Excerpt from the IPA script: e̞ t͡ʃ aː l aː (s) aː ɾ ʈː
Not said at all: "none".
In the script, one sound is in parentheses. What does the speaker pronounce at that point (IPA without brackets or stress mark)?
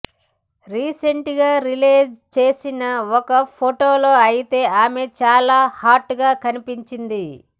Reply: h